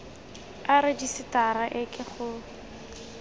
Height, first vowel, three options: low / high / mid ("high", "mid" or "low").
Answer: low